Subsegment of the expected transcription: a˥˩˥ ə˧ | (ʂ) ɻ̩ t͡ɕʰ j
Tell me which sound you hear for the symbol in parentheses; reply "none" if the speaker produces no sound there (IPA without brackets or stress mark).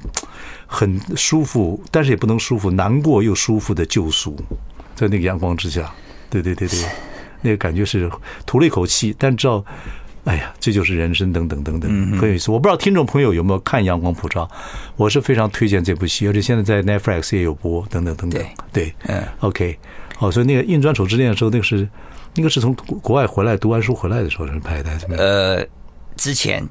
ʈ͡ʂ